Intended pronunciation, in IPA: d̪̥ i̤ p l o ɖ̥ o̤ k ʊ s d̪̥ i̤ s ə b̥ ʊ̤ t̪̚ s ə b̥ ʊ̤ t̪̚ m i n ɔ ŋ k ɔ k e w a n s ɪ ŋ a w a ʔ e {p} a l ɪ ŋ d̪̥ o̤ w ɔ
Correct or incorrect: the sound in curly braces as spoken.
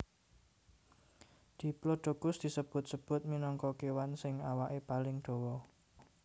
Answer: correct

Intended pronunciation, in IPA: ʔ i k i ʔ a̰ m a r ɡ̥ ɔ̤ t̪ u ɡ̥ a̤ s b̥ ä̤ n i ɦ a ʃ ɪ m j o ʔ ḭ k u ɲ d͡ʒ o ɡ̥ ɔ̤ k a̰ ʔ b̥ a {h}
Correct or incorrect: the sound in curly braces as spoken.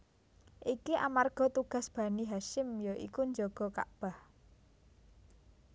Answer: correct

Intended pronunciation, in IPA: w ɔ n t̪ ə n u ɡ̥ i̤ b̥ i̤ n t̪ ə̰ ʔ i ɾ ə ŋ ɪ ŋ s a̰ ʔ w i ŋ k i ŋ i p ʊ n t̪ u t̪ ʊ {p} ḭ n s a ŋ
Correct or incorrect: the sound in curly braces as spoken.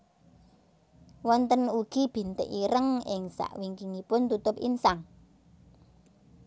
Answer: correct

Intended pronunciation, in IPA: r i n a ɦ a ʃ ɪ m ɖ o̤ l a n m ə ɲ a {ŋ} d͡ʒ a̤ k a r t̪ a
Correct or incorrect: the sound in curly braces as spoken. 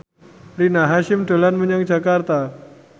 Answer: correct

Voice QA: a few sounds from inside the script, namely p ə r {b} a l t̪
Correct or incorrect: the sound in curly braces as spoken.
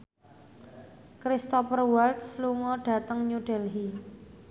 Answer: incorrect: w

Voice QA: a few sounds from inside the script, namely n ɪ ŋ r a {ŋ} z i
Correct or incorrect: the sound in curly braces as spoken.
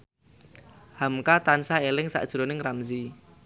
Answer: incorrect: m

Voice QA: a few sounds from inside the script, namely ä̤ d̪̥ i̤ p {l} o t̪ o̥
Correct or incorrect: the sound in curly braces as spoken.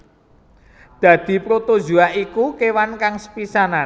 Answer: incorrect: ɾ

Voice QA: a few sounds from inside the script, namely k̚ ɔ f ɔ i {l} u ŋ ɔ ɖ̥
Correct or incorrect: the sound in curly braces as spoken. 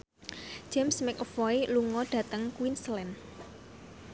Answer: correct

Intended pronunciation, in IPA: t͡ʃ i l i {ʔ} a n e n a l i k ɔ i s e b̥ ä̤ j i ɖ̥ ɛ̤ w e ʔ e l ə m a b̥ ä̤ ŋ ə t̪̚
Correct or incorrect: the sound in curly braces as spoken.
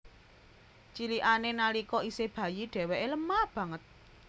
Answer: correct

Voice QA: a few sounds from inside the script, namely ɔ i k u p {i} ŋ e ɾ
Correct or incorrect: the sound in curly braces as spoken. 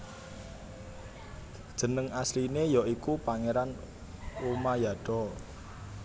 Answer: incorrect: a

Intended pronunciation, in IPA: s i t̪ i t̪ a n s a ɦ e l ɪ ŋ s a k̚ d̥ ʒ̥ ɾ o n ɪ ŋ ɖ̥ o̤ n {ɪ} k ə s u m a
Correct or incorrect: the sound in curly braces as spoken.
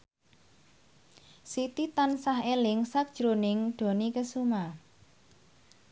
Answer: incorrect: i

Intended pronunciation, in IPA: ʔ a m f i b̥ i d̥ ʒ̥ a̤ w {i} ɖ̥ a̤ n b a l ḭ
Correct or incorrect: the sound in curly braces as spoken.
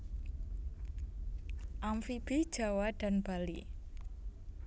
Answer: incorrect: a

